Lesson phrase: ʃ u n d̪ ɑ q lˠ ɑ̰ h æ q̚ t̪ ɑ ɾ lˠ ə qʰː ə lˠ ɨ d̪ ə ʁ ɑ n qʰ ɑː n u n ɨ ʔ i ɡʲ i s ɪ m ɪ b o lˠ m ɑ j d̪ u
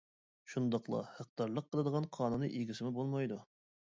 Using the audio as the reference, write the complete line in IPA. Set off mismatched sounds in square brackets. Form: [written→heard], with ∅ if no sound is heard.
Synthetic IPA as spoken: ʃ u n d̪ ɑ q lˠ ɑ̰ h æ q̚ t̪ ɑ ɾ lˠ ə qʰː ə lˠ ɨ d̪ ə ʁ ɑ n qʰ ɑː n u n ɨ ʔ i ɡʲ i s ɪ m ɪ b o lˠ m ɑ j d̪ u

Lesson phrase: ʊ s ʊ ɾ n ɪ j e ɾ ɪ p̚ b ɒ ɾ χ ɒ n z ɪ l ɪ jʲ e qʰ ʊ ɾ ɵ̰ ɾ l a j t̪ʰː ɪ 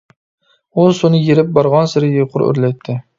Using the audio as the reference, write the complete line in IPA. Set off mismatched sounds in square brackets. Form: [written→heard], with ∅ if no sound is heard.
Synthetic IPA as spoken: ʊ s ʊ [ɾ→∅] n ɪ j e ɾ ɪ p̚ b ɒ ɾ [χ→ʁ] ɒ n [z→s] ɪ [l→ɾ] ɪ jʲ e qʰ ʊ ɾ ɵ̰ ɾ l a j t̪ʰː ɪ

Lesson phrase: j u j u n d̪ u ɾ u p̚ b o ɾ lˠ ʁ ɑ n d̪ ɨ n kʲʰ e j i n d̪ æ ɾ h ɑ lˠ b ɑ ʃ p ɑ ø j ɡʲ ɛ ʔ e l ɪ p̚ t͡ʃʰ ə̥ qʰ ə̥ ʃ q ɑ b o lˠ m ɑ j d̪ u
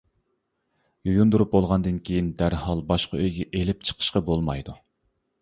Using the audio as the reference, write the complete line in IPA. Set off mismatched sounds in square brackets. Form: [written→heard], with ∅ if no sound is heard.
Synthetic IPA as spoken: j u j u n d̪ u ɾ u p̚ b o [ɾ→∅] lˠ ʁ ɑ n d̪ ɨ n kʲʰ e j i n d̪ æ ɾ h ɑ lˠ b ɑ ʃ [p→q] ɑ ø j ɡʲ ɛ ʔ e l ɪ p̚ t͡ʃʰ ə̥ qʰ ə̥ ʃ q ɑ b o lˠ m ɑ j d̪ u

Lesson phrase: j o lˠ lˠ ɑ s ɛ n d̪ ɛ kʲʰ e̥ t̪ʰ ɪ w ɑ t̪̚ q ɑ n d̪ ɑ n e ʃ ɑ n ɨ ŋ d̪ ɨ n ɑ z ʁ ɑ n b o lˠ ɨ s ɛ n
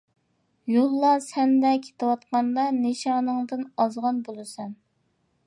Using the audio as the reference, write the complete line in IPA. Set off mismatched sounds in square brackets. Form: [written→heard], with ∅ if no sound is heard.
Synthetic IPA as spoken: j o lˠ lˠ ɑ s ɛ n d̪ ɛ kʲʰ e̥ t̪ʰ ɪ w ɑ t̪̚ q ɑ n d̪ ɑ n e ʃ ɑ n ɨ ŋ d̪ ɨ n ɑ z ʁ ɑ n b o lˠ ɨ s ɛ n

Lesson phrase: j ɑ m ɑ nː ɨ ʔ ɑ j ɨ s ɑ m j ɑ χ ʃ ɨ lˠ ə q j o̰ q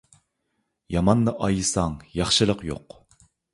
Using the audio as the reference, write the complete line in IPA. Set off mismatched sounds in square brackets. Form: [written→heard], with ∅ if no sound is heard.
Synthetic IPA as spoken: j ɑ m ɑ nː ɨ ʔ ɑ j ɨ s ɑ [m→ŋ] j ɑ χ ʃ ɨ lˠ ə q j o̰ q

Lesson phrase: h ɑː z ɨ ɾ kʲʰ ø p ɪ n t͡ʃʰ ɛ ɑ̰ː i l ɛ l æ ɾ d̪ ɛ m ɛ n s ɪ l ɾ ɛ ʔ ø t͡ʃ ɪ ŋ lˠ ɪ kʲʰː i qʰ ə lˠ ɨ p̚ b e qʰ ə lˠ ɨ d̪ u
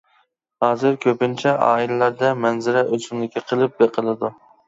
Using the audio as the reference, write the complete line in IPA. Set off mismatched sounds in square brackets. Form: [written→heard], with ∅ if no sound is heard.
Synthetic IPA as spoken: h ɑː z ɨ ɾ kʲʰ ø p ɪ n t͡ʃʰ ɛ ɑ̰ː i l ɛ l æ ɾ d̪ ɛ m ɛ n [s→z] ɪ [l→∅] ɾ ɛ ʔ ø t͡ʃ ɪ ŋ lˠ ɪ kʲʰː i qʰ ə lˠ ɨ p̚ b e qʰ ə lˠ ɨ d̪ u

